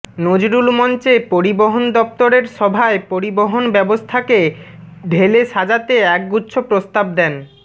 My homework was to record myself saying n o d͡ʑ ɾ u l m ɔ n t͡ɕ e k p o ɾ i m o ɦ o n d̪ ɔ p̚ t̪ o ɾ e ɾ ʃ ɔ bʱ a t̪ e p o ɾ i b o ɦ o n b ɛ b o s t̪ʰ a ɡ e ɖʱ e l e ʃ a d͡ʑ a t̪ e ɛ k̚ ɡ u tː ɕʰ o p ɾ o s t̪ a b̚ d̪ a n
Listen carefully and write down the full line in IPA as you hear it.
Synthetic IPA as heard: n o d͡ʑ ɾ u l m ɔ n t͡ɕ e p o ɾ i b o ɦ o n d̪ ɔ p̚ t̪ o ɾ e ɾ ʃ ɔ bʱ a e p o ɾ i b o ɦ o n b ɛ b o s t̪ʰ a k e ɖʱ e l e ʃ a d͡ʑ a t̪ e ɛ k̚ ɡ u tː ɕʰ o p ɾ o s t̪ a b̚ d̪ ɛ n